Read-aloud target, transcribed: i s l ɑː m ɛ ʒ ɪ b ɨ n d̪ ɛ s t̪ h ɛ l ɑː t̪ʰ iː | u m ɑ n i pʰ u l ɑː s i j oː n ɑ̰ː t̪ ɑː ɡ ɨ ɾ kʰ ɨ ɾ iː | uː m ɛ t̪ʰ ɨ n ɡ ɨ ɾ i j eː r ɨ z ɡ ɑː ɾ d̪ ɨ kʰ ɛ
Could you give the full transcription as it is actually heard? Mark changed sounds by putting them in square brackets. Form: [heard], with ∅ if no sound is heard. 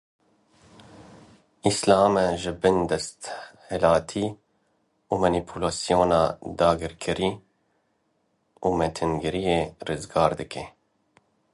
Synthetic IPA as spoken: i s l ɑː m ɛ ʒ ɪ b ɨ n d̪ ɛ s t̪ h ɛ l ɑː t̪ʰ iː | u m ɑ n i pʰ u l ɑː s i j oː n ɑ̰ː [d̪] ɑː ɡ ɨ ɾ kʰ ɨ ɾ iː | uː m ɛ t̪ʰ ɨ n ɡ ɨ ɾ i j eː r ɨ z ɡ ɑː ɾ d̪ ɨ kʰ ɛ